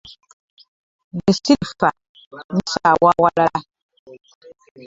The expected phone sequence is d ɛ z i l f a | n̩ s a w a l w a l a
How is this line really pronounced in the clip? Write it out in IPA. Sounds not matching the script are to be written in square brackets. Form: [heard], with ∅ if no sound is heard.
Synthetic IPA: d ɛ [s] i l f a | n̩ s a w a [∅] w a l a